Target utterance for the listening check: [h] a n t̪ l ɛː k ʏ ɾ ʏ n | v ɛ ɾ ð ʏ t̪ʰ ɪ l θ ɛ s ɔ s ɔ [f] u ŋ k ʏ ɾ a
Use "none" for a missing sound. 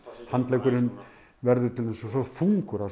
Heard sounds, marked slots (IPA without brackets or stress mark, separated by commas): h, f